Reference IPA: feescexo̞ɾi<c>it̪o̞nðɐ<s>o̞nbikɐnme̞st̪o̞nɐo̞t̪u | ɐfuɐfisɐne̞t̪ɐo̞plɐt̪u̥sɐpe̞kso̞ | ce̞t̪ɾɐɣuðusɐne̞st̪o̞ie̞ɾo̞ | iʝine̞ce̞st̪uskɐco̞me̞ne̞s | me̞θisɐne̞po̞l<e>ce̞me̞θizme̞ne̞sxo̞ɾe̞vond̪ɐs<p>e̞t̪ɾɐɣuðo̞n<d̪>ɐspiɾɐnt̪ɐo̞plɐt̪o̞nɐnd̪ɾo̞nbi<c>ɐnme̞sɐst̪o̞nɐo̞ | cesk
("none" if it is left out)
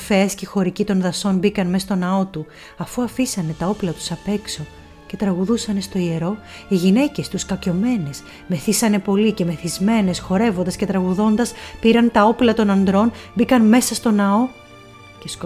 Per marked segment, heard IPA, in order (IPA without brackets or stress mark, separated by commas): c, s, i, c, d̪, k